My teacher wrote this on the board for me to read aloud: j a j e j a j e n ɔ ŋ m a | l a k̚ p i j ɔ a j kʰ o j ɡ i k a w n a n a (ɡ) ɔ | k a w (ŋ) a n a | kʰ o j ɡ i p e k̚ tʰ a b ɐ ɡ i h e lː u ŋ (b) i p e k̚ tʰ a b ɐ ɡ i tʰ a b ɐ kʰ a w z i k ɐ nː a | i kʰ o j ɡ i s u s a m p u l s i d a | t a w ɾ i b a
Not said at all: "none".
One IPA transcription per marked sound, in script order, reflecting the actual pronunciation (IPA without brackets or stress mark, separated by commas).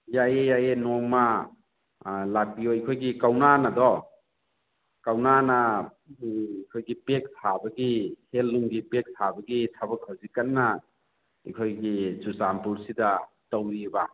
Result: d, n, ɡ